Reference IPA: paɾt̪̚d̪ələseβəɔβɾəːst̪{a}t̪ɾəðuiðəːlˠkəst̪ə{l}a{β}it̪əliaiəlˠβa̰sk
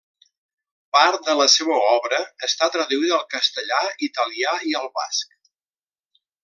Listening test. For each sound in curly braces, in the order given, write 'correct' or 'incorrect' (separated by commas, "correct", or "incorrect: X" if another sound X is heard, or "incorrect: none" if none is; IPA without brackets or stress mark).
correct, incorrect: ʎ, incorrect: none